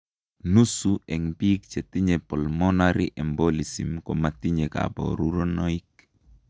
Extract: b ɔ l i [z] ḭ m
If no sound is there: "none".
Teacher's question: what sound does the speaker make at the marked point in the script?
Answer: s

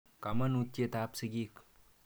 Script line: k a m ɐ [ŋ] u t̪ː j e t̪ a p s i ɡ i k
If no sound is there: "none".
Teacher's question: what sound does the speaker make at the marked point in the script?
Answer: n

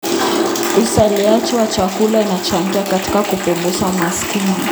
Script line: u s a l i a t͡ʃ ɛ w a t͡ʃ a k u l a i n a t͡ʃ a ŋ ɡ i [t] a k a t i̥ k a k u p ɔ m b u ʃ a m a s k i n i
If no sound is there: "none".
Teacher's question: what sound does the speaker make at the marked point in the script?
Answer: none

